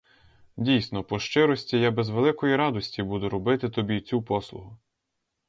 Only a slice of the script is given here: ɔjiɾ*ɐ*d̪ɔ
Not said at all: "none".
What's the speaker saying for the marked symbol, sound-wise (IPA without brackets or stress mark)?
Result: ɑ